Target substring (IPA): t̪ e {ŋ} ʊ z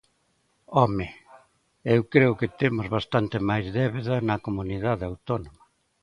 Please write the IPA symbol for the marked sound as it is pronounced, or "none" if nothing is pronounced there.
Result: m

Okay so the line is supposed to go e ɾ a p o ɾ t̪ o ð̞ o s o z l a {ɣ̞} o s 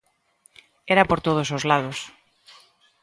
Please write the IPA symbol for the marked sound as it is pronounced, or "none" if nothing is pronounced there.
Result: ð̞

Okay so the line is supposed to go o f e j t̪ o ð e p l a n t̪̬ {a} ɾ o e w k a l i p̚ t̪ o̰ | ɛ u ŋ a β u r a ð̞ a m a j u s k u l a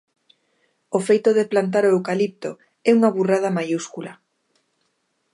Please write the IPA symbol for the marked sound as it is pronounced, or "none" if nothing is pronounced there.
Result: a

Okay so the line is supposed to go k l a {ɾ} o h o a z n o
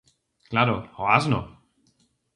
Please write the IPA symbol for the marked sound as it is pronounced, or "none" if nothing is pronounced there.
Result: ɾ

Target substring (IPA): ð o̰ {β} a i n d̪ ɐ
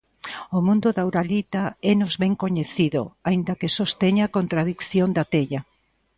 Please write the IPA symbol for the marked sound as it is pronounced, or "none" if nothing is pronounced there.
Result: none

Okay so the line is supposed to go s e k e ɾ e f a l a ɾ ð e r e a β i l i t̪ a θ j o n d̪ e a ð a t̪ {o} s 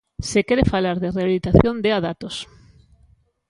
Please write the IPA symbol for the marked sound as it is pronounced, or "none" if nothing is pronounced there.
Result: o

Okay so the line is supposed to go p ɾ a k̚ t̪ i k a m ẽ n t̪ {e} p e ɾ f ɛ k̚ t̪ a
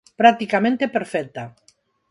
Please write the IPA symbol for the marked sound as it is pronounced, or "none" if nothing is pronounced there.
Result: e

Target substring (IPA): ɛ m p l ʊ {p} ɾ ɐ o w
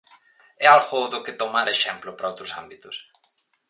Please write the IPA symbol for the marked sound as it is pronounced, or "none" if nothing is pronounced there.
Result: p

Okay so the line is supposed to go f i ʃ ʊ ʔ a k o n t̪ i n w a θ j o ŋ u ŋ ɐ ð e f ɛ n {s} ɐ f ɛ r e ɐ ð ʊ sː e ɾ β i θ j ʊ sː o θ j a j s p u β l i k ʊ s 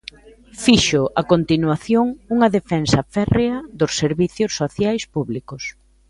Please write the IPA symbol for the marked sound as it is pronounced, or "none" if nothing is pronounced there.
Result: s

